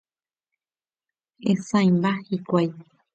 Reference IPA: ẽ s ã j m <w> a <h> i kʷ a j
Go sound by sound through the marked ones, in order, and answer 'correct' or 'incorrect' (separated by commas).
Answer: incorrect, correct